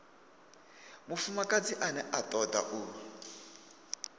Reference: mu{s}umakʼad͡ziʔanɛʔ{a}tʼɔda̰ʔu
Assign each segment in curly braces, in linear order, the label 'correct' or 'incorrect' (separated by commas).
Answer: incorrect, correct